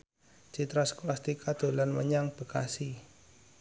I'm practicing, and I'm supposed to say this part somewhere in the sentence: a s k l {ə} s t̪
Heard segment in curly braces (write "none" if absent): a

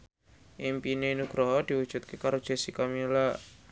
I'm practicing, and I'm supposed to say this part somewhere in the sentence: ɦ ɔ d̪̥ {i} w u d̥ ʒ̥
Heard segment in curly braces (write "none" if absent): i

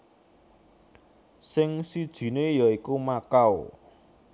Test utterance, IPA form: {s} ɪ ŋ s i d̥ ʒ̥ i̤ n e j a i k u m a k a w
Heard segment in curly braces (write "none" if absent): s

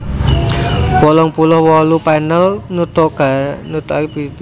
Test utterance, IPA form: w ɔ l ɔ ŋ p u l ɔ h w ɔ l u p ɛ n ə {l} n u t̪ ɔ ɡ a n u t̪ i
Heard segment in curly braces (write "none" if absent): l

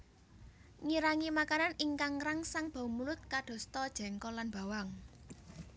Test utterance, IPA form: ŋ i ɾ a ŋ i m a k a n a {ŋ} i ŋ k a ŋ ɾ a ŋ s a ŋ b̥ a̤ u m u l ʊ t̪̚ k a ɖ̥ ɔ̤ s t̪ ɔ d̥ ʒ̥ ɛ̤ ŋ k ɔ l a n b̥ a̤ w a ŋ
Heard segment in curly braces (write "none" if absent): n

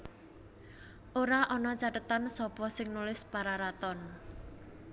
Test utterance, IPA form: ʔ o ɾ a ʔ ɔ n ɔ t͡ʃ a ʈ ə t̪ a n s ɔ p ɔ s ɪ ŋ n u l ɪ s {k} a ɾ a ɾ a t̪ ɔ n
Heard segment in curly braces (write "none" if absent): p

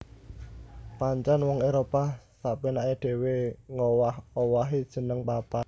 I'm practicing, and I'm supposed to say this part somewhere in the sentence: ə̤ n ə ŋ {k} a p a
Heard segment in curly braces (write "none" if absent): p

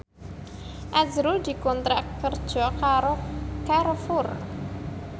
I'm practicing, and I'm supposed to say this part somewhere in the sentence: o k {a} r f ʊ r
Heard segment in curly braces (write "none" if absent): a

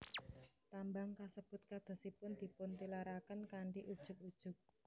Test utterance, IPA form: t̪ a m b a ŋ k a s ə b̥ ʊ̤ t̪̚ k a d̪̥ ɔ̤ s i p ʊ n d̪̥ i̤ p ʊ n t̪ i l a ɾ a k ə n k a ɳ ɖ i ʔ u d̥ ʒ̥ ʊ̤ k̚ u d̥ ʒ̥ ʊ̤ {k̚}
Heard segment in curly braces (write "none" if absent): k̚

